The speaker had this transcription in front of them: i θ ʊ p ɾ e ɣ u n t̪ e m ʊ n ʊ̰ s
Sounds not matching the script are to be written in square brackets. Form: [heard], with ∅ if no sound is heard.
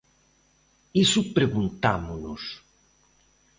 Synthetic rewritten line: i [s] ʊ p ɾ e ɣ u n t̪ [a] m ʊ n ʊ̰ s